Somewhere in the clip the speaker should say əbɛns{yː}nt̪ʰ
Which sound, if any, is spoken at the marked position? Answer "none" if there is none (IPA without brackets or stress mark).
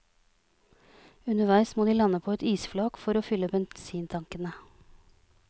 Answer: iː